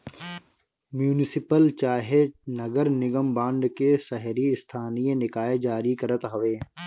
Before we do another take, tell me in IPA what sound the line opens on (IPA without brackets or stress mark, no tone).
m